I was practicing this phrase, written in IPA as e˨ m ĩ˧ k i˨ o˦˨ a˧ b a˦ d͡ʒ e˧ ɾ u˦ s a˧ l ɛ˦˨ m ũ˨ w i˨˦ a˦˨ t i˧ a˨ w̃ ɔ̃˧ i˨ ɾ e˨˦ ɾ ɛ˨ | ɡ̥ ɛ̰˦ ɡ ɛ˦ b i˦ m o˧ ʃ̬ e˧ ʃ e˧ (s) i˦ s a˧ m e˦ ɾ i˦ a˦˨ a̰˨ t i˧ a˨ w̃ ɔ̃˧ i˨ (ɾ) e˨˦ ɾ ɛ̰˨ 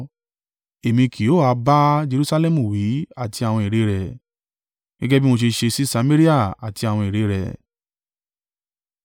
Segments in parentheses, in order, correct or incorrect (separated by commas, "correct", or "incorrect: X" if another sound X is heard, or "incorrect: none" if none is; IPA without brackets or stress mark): correct, correct